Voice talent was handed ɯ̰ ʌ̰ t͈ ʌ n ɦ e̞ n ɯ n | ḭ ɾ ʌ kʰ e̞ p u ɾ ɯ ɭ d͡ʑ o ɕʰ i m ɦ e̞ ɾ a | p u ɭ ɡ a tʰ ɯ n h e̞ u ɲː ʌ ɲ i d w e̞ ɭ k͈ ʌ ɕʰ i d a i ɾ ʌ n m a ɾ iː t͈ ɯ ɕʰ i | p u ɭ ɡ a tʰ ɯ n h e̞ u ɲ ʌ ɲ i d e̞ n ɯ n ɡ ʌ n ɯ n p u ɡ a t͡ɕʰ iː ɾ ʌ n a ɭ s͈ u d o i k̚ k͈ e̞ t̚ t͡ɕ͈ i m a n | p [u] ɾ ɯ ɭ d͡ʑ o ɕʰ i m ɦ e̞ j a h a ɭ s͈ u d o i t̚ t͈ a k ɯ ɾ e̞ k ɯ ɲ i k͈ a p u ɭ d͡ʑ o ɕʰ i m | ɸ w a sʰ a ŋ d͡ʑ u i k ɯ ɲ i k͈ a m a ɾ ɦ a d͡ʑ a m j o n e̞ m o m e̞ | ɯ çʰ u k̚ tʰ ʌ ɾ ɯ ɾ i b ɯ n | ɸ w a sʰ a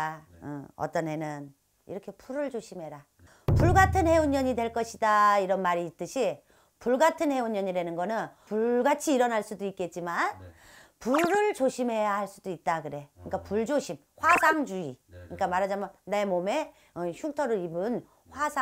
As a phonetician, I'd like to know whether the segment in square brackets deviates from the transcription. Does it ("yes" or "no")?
no